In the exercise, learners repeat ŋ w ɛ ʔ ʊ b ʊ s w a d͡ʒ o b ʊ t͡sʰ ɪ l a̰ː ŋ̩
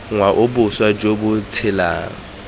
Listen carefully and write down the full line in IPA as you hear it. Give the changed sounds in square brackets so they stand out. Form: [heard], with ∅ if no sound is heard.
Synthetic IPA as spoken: ŋ w [a] ʔ ʊ b ʊ s w a d͡ʒ o b ʊ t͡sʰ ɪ l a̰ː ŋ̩